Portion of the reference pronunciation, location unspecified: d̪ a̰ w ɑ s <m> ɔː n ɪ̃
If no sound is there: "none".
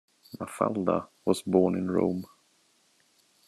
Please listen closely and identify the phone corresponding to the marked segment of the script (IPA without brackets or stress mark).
b